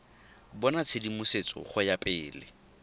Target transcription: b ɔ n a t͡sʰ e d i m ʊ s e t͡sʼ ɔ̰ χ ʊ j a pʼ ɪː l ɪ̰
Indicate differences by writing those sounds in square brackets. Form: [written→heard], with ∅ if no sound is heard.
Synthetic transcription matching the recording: b ɔ n a t͡sʰ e d i m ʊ s e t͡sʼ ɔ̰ χ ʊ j a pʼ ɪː l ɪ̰